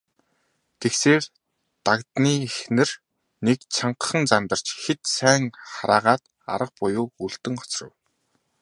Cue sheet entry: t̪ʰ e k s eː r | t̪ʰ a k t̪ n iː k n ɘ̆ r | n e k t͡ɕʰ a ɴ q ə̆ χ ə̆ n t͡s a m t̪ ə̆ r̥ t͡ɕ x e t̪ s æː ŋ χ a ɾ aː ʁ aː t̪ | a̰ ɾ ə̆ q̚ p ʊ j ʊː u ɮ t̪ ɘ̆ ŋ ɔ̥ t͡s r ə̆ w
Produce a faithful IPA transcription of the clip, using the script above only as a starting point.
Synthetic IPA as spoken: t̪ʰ e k s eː r | t̪ a k t̪ n iː x n ɘ̆ r | n e k t͡ɕʰ a ɴ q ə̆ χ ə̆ n t͡s a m t̪ ə̆ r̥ t͡ɕ x e t̪ s æː ŋ χ a ɾ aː ʁ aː t̪ | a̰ ɾ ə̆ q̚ p ʊ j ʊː u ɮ t̪ ɘ̆ ŋ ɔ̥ t͡s r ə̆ w